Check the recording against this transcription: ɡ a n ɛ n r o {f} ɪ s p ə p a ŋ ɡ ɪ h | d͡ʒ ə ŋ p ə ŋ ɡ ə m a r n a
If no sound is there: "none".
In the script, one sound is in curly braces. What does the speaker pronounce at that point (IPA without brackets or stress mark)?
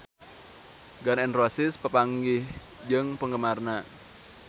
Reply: s